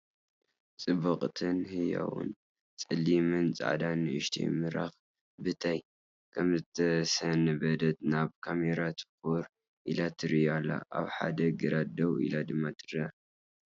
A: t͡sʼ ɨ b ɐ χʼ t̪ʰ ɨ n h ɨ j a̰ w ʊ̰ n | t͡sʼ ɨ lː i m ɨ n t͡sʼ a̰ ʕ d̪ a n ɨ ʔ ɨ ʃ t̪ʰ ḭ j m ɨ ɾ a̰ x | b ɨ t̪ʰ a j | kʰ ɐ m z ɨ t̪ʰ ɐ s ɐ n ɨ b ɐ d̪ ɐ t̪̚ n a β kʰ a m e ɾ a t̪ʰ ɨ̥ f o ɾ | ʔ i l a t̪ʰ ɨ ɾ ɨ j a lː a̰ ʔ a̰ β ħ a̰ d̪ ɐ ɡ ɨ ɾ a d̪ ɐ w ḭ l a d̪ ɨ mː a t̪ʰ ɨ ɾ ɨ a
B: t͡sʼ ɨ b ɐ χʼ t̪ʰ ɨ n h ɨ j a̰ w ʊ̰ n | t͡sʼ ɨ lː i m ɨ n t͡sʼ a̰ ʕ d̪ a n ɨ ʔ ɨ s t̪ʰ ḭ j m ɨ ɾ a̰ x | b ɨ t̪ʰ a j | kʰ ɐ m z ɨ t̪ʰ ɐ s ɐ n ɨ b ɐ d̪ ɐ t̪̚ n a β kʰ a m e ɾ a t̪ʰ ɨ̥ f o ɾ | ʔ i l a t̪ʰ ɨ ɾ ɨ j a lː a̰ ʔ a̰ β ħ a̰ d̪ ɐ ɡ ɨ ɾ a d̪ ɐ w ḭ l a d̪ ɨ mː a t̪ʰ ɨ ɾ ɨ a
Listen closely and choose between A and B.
A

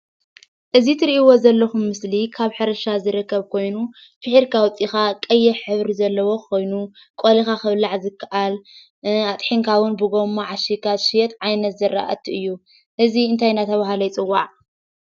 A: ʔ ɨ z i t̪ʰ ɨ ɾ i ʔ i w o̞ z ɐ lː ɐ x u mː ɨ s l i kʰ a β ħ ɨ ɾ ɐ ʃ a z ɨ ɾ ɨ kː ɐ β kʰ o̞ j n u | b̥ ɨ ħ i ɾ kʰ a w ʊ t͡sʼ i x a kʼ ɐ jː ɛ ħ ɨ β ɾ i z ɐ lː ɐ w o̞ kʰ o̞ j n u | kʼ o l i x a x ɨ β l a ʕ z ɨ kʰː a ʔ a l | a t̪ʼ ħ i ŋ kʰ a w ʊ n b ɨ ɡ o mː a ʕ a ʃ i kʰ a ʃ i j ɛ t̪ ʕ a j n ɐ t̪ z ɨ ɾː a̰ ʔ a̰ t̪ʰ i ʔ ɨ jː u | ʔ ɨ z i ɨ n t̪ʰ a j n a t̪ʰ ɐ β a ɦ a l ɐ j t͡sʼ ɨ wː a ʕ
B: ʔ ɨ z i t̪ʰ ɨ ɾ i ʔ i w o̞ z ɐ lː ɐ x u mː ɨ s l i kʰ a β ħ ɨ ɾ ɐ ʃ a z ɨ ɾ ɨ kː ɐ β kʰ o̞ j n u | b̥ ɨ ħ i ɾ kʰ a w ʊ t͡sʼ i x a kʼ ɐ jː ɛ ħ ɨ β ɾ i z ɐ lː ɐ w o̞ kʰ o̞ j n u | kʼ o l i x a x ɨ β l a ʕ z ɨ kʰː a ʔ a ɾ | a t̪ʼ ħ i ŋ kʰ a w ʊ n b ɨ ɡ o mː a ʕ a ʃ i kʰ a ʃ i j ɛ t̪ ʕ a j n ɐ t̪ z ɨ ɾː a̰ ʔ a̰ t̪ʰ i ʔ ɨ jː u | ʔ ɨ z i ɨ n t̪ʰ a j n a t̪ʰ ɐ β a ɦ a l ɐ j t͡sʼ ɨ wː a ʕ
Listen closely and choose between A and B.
A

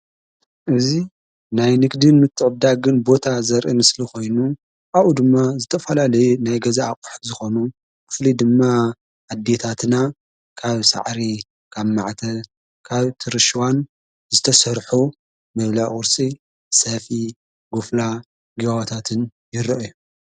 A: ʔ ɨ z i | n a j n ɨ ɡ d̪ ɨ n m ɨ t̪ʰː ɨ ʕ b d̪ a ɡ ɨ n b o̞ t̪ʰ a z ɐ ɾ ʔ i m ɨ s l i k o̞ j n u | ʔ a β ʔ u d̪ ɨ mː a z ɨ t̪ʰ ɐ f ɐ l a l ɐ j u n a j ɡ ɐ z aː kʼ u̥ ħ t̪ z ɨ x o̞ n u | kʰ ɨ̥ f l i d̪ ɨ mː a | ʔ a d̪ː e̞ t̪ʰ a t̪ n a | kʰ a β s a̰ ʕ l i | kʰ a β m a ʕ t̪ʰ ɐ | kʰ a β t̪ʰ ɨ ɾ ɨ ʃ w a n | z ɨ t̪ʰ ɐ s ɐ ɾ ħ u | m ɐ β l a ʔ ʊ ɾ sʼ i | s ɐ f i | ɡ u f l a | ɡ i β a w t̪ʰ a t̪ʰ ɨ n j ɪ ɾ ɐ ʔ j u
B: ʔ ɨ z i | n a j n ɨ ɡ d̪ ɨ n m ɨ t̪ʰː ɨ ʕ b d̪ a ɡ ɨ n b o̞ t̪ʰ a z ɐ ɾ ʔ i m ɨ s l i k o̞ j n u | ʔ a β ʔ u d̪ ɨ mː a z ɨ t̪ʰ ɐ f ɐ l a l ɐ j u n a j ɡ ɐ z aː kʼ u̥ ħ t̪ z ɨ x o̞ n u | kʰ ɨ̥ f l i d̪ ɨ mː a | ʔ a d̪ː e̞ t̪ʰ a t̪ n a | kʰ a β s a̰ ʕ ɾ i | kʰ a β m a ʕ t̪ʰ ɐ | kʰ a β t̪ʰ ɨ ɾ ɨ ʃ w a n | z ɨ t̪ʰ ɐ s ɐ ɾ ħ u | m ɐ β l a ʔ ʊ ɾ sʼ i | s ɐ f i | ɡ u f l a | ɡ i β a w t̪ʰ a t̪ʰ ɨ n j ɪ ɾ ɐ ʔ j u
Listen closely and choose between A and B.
B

